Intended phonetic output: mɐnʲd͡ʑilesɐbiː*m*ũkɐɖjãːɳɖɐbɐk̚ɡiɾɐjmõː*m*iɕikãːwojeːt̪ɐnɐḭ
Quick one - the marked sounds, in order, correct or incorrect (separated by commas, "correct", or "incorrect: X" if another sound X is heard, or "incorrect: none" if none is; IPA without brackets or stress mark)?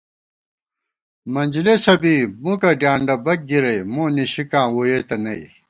correct, incorrect: n